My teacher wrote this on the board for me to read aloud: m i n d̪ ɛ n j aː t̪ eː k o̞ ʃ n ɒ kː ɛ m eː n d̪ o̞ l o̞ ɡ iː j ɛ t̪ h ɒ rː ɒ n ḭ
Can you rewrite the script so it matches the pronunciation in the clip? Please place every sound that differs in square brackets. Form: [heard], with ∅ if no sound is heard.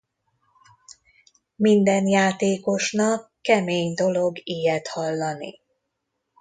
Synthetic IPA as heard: m i n d̪ ɛ n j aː t̪ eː k o̞ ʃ n ɒ kː ɛ m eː [ɲ] d̪ o̞ l o̞ ɡ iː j ɛ t̪ h ɒ [lː] ɒ n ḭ